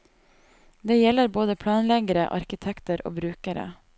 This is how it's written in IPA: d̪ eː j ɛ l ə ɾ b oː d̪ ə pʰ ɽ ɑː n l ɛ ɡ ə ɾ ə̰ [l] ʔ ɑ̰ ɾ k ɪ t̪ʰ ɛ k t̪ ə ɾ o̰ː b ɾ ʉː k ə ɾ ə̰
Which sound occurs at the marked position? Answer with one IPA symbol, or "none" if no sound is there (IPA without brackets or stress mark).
none